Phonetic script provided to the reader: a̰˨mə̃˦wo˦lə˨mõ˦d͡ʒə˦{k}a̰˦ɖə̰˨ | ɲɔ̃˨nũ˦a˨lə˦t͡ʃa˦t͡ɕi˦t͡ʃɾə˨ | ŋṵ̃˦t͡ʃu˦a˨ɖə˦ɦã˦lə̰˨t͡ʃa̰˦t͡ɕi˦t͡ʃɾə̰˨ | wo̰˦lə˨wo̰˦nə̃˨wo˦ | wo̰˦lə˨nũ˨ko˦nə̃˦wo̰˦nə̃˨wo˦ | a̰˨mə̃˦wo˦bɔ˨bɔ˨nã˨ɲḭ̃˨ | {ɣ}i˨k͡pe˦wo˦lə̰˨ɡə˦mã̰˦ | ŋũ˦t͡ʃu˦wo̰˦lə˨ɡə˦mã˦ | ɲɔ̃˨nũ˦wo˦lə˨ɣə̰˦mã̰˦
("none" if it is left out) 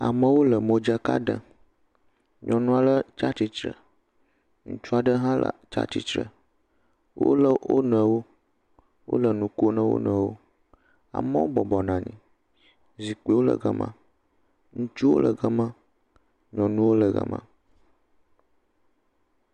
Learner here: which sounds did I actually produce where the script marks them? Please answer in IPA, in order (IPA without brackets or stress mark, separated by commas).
k, z